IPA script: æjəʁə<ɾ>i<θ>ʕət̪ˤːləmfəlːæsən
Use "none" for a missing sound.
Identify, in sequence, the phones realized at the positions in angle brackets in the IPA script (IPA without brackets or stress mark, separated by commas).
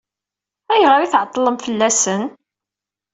ɾ, θ